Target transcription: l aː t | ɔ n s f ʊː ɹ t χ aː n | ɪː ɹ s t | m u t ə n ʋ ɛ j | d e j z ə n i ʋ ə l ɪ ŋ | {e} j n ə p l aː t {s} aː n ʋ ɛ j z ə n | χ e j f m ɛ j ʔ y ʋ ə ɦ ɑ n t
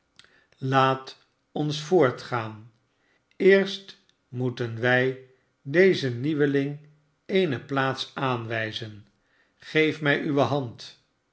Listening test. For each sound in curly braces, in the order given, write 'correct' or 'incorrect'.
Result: correct, correct

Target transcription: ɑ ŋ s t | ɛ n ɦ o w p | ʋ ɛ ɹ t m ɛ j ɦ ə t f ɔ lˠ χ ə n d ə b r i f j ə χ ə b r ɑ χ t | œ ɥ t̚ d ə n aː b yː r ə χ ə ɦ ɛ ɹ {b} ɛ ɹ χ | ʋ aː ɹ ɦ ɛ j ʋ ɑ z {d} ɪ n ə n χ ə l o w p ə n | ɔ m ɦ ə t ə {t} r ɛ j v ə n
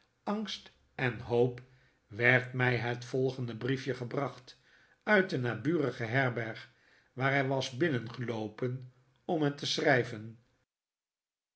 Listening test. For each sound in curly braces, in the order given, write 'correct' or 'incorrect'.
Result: correct, incorrect: b, incorrect: s

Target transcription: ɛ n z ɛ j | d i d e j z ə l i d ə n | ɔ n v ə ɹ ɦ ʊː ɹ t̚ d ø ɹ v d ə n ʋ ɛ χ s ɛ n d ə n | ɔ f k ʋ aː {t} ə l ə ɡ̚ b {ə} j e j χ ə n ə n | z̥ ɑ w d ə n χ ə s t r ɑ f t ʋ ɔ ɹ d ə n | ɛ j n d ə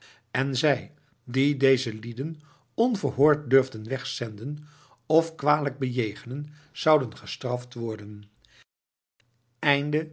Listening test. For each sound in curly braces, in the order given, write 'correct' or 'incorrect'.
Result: incorrect: d, correct

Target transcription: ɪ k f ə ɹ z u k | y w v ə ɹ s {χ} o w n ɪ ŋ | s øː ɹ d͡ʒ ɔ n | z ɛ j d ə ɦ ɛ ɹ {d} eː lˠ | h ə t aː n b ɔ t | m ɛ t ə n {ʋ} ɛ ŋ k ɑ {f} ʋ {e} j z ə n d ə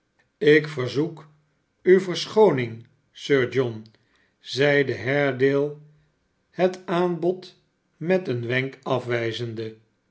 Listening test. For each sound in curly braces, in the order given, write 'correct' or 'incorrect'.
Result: correct, correct, correct, correct, incorrect: ɛ

